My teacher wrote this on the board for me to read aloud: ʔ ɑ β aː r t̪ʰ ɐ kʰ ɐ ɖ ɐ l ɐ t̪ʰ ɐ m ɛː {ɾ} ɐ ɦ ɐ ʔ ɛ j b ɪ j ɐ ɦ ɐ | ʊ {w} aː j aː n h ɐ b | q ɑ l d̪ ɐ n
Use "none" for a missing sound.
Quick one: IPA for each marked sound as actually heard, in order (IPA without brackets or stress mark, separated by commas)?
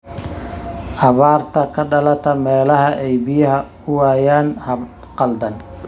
l, w